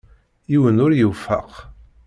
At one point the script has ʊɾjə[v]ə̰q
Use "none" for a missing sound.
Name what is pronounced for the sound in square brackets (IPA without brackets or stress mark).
f